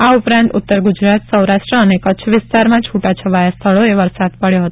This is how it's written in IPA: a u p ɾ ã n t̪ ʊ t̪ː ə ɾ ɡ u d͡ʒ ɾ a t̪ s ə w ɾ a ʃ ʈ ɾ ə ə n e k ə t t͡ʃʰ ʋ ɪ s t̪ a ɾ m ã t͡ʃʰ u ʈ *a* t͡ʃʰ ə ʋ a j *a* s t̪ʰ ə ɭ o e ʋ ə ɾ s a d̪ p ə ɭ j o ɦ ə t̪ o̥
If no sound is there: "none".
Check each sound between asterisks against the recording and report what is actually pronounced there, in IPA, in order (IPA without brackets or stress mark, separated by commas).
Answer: a, a